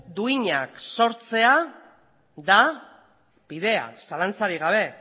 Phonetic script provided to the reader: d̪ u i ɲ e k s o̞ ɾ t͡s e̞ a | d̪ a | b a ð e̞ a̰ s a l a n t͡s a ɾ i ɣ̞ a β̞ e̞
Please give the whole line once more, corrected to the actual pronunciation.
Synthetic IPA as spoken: d̪ u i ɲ a k s o̞ ɾ t͡s e̞ a | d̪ a | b i ð e̞ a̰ s a l a n t͡s a ɾ i ɣ̞ a β̞ e̞